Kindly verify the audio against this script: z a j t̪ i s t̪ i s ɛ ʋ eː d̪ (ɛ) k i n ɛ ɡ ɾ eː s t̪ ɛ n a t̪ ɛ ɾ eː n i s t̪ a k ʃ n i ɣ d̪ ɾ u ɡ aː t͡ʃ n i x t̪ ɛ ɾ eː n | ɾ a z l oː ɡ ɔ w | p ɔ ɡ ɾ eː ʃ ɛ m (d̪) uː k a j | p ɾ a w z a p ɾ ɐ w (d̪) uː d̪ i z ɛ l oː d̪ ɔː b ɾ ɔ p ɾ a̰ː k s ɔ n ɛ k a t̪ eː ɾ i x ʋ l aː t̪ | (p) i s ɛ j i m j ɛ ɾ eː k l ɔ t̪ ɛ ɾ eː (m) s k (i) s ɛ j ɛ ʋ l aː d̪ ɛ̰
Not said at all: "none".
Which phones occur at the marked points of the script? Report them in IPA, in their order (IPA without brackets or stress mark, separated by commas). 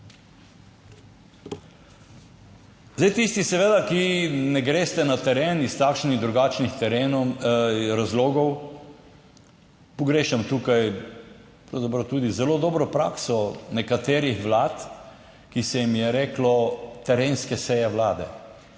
a, t̪, t̪, k, n, ɛ